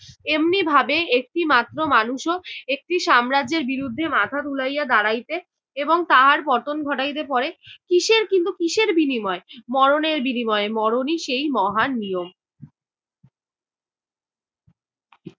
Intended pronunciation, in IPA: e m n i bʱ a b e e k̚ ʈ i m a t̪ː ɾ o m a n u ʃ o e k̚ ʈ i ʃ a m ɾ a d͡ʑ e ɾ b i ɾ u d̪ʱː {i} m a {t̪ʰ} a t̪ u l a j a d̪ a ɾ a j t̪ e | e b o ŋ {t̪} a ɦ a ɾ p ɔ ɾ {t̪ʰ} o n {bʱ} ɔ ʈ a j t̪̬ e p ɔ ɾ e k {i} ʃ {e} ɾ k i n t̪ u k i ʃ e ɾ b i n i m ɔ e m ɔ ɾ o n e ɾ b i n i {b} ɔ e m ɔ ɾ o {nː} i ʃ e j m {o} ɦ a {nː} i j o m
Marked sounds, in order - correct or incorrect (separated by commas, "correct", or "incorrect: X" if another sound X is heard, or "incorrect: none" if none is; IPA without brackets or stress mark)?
incorrect: e, correct, correct, incorrect: t̪, incorrect: ɡʱ, correct, correct, incorrect: m, incorrect: n, incorrect: ɔ, correct